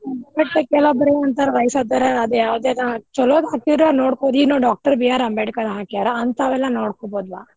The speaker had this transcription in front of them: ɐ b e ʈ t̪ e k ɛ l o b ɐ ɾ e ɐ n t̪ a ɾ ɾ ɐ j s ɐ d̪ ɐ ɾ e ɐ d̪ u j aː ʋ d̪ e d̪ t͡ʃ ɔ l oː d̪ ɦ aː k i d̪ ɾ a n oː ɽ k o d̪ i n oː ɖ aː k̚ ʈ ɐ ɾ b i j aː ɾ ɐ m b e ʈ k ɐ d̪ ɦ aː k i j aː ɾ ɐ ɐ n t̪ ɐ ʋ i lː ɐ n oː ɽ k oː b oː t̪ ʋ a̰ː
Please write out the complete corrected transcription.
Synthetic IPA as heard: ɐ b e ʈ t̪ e k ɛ l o b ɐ ɾ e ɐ n t̪ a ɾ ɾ ɐ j s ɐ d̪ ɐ ɾ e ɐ d̪ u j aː ʋ d̪ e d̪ t͡ʃ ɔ l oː d̪ ɦ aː k i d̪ ɾ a n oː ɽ k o d̪ i n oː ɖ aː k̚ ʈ ɐ ɾ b i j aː ɾ ɐ m b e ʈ k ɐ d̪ ɦ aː k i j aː ɾ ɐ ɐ n t̪ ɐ ʋ ɛ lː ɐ n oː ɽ k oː b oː d̪ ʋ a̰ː